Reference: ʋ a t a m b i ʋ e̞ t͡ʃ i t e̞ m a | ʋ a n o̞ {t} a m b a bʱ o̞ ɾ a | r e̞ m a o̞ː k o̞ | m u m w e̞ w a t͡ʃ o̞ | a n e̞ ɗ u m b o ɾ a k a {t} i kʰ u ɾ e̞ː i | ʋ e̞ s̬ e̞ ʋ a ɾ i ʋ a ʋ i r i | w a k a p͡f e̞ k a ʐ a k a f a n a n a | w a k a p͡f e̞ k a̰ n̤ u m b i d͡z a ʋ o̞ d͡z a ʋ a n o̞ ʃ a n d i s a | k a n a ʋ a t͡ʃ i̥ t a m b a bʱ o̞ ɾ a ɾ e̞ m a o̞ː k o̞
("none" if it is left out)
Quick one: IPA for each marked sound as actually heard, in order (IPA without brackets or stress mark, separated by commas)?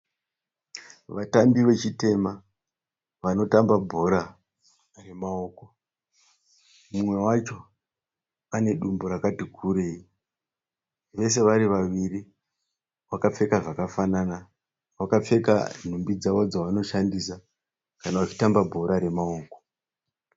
t, t